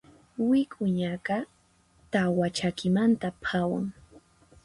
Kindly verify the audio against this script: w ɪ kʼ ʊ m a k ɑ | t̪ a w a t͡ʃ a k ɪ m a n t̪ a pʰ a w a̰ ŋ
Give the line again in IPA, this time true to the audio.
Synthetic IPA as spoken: w ɪ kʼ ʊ ɲ a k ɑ | t̪ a w a t͡ʃ a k ɪ m a n t̪ a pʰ a w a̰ ŋ